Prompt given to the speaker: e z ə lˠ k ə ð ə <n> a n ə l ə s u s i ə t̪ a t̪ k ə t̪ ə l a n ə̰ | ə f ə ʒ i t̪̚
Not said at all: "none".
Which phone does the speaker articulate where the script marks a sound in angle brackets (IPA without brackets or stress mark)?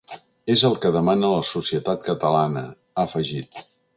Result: m